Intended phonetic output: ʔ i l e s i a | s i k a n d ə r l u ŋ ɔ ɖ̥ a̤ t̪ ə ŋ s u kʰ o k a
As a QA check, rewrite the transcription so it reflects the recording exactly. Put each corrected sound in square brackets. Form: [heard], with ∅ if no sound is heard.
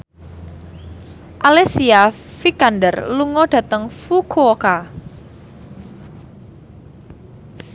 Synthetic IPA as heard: ʔ [a] l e s i a | [f] i k a n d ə r l u ŋ ɔ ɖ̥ a̤ t̪ ə ŋ [f] u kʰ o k a